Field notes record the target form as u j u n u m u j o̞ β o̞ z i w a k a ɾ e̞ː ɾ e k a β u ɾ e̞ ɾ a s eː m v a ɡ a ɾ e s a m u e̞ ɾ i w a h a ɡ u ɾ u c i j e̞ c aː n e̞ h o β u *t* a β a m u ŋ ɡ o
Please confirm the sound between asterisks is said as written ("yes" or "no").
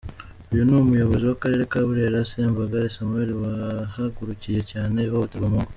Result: yes